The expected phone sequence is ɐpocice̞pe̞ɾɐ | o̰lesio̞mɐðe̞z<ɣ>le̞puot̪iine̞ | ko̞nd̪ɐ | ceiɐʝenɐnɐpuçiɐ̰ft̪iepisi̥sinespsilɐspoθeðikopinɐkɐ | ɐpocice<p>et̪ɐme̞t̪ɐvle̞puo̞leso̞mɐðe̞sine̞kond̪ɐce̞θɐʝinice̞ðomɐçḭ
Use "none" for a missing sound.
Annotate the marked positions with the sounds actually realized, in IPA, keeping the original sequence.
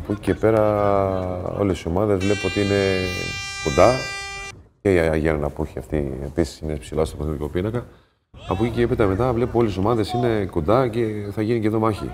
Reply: v, p

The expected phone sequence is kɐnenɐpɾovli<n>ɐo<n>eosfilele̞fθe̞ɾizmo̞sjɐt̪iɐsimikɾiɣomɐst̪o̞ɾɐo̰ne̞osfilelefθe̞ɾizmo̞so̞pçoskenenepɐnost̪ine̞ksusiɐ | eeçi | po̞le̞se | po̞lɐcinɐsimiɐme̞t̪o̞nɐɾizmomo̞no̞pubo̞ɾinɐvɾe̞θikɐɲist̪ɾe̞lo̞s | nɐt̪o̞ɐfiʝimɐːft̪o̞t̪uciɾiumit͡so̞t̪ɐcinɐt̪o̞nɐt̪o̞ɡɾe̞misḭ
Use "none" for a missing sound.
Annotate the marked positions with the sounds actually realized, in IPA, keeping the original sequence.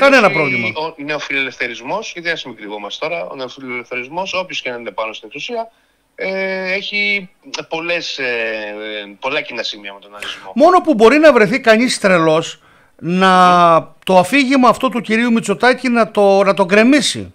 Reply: m, n

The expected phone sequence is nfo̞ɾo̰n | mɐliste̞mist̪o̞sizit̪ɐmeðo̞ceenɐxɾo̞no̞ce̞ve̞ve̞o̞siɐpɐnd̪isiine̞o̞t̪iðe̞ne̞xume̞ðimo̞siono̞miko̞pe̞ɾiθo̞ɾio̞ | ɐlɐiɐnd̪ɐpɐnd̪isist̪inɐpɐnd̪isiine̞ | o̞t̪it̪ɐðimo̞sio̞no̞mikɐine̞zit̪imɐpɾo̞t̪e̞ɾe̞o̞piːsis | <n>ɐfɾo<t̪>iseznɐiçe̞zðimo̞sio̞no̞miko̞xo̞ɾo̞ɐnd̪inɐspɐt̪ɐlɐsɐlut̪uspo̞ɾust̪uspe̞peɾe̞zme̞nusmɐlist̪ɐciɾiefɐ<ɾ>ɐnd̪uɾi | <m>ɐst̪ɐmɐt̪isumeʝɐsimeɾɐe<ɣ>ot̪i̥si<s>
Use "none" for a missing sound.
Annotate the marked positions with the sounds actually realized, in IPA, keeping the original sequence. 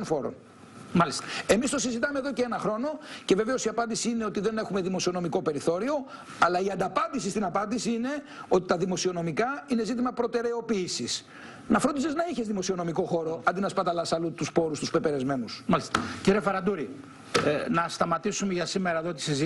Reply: n, d̪, ɾ, n, ð, z

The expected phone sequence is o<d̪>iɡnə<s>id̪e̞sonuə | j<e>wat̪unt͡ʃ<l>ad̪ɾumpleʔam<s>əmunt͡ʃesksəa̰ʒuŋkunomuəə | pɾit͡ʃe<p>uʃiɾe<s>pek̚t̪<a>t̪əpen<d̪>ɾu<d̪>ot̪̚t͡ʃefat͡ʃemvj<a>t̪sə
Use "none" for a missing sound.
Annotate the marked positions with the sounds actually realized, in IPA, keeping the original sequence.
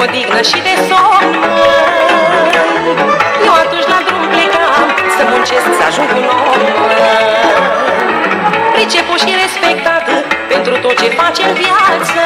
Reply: d̪, ʃ, e, l, s, p, s, a, t̪, t̪, a

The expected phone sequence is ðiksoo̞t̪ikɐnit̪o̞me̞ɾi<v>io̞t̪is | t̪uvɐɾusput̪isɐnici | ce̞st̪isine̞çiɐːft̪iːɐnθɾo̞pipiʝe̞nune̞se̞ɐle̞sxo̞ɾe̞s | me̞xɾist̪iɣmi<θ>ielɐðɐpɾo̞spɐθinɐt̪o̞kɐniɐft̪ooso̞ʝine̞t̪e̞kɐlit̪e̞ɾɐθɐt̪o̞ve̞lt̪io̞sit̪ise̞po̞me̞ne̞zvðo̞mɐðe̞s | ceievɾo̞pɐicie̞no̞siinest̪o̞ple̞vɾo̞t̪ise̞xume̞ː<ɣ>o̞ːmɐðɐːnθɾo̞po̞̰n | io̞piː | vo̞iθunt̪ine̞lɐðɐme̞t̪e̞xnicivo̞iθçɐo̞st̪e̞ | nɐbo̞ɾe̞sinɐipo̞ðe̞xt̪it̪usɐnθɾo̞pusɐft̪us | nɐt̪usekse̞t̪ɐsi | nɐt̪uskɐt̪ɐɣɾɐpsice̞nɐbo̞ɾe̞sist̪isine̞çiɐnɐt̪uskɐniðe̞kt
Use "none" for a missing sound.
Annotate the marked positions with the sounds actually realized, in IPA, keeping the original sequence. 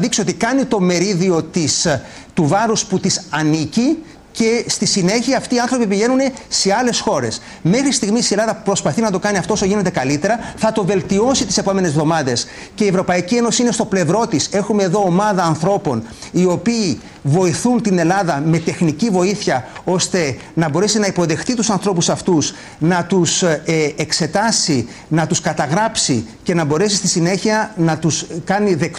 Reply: ð, s, ð

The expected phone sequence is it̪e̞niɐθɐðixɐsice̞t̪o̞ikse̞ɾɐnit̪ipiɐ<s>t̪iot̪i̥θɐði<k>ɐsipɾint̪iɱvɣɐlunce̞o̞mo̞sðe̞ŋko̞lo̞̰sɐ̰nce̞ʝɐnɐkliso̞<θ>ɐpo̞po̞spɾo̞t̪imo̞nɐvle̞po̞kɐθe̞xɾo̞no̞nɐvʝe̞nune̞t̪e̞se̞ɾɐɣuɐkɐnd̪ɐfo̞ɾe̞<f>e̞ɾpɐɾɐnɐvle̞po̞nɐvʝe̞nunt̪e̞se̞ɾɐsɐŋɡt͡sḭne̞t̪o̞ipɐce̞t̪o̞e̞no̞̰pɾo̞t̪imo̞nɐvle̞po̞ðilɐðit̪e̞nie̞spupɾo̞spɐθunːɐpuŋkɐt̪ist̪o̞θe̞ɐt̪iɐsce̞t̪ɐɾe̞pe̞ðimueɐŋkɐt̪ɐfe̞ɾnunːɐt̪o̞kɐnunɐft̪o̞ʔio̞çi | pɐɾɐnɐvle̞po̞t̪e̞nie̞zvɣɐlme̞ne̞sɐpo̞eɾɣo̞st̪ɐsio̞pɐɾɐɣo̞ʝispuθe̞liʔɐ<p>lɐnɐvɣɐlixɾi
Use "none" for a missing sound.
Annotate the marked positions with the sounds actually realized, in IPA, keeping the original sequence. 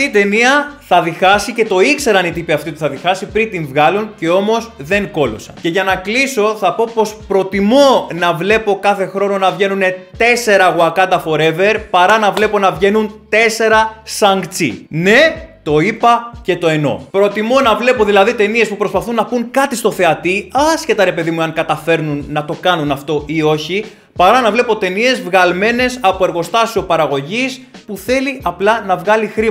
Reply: f, x, θ, v, p

